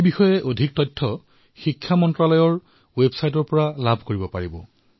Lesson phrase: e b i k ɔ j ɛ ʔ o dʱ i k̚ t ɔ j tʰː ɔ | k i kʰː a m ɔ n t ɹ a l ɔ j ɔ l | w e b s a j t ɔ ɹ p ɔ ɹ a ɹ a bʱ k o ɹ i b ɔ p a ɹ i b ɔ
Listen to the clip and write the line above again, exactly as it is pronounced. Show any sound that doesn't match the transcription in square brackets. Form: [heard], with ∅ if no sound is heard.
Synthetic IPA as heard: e b i [x] ɔ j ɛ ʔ o dʱ i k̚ t ɔ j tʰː ɔ | [x] i kʰː a m ɔ n t ɹ a l ɔ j ɔ [ɹ] | w e b s a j t ɔ ɹ p ɔ ɹ a [l] a bʱ k o ɹ i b ɔ p a ɹ i b ɔ

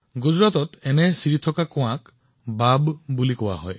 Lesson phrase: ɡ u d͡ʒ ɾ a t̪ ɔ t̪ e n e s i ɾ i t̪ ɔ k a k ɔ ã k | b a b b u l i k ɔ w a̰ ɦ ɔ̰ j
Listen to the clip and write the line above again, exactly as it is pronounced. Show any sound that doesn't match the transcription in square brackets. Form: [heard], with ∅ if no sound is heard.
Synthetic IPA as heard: ɡ u d͡ʒ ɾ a t̪ ɔ t̪ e n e s i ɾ i [t̪ʰ] ɔ k a k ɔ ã k | b a b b u l i k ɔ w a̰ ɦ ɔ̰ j

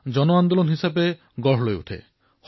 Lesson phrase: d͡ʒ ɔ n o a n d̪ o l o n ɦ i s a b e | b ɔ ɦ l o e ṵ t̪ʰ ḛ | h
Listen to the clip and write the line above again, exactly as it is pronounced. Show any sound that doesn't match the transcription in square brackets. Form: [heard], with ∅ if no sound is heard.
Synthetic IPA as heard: d͡ʒ ɔ n o a n d̪ o l o n ɦ i s a b e | [ɡ] ɔ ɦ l o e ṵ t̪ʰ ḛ | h

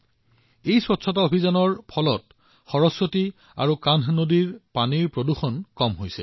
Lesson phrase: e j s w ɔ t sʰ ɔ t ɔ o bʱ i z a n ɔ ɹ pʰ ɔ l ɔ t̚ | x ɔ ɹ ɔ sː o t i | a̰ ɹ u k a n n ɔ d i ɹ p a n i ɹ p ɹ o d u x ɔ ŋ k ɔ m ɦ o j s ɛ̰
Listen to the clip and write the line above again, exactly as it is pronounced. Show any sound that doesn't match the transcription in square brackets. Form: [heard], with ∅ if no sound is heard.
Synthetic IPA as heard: e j s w ɔ t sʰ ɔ t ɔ o bʱ i z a n ɔ ɹ pʰ ɔ l ɔ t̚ | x ɔ ɹ ɔ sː o t i | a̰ ɹ u k a n n [o] d i ɹ p a n i ɹ p ɹ o d u x ɔ [n] k ɔ m ɦ o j s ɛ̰

